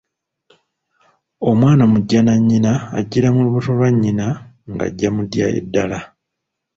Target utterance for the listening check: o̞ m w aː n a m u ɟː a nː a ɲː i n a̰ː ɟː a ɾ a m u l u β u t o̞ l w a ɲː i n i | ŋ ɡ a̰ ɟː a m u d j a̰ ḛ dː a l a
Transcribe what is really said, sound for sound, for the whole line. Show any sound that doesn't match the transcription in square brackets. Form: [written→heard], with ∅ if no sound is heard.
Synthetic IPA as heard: o̞ m w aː n a m u ɟː a [nː→n] a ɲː i n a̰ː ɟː [a→i] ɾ a m u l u β u t o̞ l w a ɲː i n [i→a] | ŋ ɡ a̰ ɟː a m u d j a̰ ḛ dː a l a